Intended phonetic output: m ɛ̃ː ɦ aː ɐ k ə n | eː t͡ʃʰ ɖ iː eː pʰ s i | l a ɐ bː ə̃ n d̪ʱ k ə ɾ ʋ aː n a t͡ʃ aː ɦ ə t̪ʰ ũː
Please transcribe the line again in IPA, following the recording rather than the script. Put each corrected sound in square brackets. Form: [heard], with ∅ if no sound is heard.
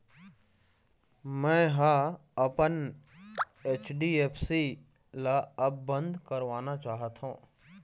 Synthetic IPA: m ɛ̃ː ɦ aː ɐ [p] ə n | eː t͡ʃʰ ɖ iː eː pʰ s i | l a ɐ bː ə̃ n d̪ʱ k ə ɾ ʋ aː n a t͡ʃ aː ɦ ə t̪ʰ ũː